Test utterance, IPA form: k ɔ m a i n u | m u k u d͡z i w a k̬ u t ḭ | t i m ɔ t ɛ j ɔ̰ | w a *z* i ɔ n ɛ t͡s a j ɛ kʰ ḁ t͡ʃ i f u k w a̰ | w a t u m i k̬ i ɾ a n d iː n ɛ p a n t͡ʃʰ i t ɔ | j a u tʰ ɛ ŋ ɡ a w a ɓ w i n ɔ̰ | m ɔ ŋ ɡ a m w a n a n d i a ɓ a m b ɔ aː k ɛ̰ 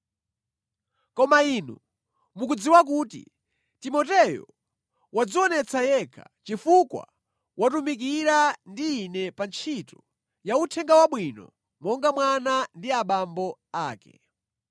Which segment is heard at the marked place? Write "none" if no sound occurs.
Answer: d͡z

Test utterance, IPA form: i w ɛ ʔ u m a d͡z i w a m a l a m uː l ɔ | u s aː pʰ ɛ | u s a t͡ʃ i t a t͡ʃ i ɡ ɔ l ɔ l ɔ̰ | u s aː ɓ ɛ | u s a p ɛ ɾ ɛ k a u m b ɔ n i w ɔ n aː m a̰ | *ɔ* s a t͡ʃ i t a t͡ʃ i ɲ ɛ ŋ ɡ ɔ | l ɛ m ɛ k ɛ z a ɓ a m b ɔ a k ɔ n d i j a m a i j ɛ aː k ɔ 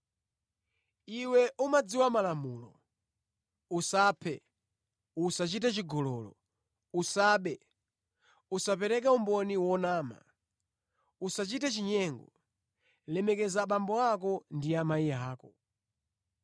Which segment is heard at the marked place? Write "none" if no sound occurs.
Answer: u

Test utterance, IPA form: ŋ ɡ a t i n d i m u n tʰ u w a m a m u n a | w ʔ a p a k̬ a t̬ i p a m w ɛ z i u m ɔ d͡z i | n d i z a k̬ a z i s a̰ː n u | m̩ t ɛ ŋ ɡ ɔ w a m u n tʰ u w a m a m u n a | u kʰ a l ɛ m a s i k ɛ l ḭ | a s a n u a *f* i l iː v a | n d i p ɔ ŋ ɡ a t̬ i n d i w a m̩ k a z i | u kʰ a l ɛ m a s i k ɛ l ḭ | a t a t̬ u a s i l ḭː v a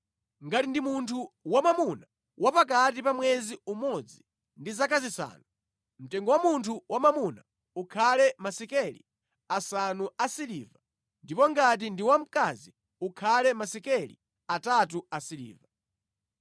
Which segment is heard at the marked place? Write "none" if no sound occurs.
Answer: s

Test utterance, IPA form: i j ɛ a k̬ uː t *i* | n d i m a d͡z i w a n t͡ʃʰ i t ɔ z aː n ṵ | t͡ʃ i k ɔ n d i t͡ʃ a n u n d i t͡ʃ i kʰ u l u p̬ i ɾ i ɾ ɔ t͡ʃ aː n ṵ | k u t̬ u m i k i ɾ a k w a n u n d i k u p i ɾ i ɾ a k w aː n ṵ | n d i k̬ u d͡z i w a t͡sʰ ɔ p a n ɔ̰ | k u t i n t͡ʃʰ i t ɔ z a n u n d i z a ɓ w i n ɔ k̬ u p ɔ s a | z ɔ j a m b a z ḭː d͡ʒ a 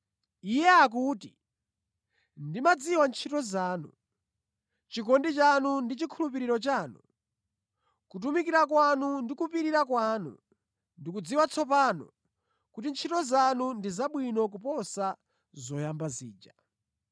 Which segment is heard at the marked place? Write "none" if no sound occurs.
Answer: i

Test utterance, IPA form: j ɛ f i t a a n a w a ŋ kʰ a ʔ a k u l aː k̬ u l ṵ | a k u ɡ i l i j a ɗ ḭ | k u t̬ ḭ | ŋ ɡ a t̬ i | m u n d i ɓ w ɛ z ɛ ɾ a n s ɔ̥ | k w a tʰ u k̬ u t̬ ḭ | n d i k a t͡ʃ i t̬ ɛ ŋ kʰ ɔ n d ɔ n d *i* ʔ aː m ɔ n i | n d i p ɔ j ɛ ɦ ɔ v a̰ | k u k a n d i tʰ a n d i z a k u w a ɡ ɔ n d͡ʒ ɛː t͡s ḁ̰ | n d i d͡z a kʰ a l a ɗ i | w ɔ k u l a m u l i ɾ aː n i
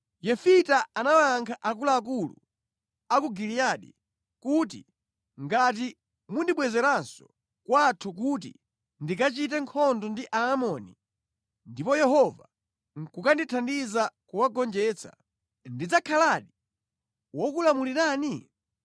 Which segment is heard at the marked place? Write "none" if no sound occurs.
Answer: i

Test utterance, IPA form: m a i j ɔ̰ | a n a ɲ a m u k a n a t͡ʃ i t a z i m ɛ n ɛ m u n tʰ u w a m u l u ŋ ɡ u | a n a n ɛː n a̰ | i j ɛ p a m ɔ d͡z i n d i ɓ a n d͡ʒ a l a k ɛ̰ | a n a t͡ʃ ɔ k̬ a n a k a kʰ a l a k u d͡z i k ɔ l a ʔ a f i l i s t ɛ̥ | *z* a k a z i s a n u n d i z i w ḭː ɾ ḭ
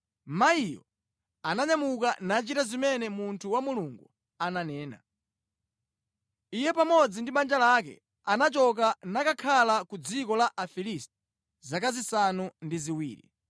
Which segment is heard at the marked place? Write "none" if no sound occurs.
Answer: z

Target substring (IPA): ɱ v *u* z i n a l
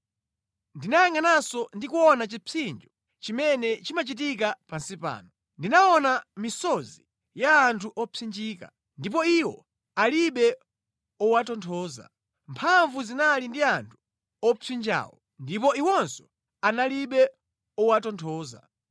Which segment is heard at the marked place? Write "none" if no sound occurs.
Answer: u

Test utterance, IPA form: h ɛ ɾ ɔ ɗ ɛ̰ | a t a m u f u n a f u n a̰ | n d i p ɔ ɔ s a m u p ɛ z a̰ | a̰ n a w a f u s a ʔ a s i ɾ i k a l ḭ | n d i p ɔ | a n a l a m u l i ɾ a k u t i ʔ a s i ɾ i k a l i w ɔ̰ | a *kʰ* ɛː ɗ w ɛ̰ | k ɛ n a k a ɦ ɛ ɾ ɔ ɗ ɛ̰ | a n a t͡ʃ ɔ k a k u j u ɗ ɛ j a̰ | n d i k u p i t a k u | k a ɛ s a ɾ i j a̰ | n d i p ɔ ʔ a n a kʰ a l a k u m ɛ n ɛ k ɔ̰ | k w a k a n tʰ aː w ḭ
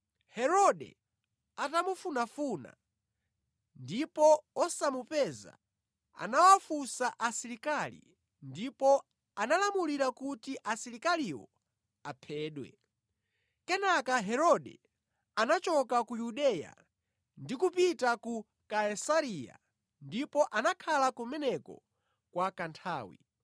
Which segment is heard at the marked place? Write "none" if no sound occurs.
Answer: pʰ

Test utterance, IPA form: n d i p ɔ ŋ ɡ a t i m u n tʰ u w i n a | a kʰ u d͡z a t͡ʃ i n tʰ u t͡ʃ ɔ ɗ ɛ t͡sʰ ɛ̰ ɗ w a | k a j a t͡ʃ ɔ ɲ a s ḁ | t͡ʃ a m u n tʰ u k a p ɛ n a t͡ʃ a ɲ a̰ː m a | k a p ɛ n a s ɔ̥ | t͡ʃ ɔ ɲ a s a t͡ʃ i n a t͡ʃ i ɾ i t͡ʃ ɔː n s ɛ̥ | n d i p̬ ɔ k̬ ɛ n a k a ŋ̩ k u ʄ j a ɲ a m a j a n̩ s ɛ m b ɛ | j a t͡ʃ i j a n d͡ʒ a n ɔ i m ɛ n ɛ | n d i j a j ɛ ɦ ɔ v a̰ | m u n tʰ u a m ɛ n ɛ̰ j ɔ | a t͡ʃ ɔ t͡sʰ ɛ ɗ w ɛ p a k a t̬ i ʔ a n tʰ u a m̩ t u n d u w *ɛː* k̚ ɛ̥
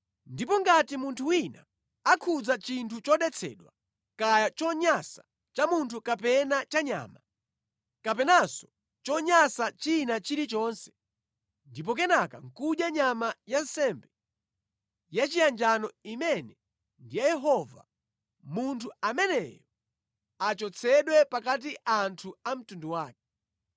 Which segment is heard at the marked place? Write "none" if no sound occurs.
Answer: aː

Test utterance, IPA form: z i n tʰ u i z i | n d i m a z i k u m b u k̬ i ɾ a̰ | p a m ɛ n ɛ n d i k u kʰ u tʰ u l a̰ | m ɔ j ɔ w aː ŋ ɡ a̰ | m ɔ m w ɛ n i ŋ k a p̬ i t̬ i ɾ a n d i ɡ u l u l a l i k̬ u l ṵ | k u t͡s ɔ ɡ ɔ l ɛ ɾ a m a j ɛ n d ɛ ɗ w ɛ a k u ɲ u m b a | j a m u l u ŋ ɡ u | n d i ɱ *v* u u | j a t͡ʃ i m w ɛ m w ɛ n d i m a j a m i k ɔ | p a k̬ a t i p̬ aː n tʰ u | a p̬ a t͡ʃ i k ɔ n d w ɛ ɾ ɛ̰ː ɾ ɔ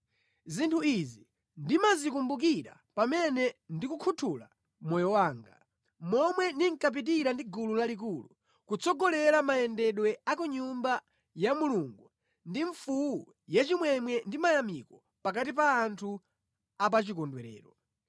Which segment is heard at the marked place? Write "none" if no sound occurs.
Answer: f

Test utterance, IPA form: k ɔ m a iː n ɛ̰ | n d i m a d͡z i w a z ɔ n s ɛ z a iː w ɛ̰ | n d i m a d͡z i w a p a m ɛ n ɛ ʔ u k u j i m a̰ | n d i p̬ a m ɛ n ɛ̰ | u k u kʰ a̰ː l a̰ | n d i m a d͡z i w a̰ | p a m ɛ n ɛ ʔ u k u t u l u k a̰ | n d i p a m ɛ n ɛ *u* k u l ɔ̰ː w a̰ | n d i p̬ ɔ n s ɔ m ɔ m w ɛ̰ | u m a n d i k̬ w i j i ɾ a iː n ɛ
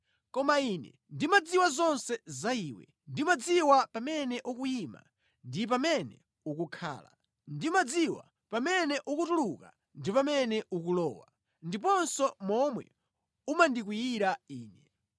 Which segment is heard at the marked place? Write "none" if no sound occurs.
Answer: u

